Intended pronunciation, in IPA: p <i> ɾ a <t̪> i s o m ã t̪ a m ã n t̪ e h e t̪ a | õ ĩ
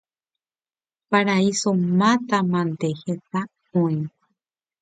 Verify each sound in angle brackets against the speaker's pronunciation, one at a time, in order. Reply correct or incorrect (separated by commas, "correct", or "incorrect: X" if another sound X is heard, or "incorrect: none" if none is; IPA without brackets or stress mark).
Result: incorrect: a, incorrect: none